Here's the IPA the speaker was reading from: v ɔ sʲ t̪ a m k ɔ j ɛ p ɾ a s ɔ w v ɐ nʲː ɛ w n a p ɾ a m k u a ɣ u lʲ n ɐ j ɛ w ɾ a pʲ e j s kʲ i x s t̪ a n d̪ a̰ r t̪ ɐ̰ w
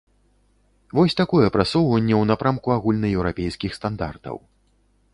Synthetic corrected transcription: v ɔ sʲ t̪ a k ɔ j ɛ p ɾ a s ɔ w v ɐ nʲː ɛ w n a p ɾ a m k u a ɣ u lʲ n ɐ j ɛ w ɾ a pʲ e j s kʲ i x s t̪ a n d̪ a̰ r t̪ ɐ̰ w